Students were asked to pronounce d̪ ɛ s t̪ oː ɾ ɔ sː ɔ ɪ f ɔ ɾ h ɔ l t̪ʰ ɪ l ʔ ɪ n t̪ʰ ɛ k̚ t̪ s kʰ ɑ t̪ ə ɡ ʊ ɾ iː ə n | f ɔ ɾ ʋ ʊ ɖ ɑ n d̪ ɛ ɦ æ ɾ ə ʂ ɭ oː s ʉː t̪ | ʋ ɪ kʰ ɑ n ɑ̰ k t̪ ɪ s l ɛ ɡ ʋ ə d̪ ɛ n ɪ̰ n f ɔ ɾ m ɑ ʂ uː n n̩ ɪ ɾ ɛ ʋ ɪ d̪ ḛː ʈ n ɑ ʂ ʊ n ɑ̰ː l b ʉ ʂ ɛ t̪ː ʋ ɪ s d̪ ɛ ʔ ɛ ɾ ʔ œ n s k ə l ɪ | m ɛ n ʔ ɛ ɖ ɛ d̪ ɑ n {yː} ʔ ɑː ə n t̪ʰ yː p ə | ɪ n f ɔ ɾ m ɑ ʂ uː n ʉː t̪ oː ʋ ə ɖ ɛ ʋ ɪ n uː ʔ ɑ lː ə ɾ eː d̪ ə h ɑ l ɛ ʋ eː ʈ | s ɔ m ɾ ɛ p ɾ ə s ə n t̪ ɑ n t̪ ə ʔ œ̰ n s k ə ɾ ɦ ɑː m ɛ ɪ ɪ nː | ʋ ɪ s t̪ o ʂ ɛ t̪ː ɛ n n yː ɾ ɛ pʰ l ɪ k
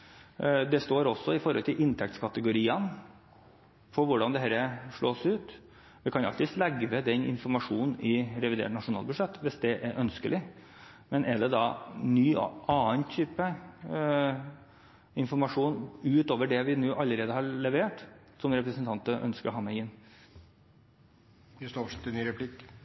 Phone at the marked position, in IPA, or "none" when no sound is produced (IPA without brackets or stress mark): yː